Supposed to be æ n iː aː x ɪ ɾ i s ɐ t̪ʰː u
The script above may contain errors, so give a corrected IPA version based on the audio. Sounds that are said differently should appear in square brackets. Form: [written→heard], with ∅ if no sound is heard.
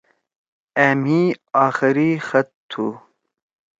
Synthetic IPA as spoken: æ [n→m] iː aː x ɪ ɾ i [s→x] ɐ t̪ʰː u